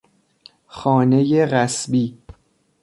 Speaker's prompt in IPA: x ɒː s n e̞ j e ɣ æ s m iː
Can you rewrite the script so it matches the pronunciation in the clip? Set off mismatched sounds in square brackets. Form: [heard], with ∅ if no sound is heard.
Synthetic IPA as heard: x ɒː [∅] n e̞ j e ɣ æ s [b] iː